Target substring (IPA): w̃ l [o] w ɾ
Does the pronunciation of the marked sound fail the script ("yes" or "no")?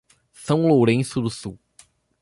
no